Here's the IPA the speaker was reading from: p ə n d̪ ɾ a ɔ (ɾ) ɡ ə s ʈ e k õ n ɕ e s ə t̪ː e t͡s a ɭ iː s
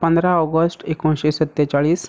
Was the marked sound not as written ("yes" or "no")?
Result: yes